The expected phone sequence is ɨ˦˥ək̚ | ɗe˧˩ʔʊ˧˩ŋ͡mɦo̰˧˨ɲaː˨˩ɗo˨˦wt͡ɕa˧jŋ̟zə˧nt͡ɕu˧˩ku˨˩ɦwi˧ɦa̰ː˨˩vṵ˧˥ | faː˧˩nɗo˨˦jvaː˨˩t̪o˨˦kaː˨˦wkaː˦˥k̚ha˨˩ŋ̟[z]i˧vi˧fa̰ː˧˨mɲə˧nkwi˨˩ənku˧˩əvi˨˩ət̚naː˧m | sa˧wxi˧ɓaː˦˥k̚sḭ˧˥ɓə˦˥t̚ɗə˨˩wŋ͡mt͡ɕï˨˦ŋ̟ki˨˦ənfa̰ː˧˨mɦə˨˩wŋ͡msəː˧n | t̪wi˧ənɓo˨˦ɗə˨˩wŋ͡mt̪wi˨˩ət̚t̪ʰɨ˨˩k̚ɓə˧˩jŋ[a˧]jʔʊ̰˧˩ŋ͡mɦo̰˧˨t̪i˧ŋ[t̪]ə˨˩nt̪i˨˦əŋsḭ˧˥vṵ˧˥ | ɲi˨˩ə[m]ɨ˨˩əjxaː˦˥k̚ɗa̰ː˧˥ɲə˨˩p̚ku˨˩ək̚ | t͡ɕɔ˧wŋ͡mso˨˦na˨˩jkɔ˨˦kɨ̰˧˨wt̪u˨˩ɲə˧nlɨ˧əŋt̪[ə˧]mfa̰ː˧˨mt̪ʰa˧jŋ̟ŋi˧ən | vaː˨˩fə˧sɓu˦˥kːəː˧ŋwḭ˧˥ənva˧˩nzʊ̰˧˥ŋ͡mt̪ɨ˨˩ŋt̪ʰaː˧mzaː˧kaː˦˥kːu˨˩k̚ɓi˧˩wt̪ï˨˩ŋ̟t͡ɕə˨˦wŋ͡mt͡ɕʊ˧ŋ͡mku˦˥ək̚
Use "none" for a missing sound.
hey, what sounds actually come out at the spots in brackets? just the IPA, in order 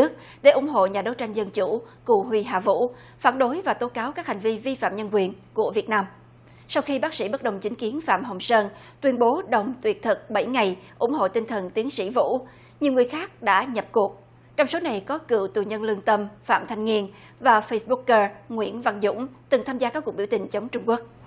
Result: v, a˨˩, t̪ʰ, ŋ, ə˧

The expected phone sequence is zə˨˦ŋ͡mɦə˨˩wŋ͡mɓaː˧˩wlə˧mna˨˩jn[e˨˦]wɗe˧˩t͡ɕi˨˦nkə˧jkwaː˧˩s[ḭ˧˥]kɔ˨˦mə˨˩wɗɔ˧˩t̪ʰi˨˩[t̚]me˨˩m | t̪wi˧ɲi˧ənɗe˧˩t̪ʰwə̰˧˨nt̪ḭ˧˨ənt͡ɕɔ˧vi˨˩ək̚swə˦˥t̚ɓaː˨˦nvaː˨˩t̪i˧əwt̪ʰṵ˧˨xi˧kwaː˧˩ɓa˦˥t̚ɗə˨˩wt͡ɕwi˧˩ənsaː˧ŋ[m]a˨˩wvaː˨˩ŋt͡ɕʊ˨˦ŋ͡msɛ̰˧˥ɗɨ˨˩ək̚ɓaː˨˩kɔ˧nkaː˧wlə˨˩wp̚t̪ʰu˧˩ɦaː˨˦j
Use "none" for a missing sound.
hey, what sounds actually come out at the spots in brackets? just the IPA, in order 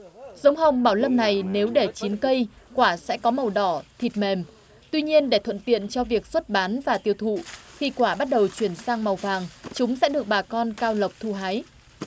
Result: e˨˦, ɛ̰˧˥, t̚, m

